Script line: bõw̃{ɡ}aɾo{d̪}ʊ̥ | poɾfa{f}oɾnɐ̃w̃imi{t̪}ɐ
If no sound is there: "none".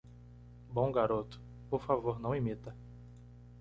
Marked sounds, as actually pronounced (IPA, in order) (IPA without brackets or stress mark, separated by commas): ɡ, t̪, v, t̪